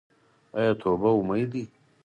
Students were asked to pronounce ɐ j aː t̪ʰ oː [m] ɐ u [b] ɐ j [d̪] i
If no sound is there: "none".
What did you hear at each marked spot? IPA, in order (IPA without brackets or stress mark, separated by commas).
b, m, d̪